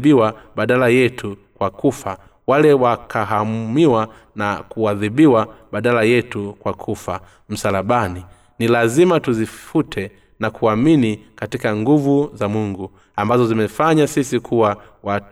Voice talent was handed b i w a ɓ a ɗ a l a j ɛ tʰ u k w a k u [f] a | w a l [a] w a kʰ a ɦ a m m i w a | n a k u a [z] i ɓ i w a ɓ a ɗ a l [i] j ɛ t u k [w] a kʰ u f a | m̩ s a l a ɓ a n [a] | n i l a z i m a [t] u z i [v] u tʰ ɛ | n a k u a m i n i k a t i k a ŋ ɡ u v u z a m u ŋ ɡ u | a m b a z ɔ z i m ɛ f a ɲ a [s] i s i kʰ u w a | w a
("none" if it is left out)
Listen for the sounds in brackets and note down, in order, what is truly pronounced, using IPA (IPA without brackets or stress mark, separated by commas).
f, ɛ, ð, a, w, i, t, f, s